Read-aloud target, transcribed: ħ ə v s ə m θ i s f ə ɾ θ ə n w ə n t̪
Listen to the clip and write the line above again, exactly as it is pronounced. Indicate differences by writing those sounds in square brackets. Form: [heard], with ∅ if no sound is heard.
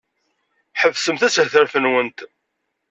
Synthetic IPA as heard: ħ ə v s ə m θ [æ] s [θ] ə ɾ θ ə n w ə n t̪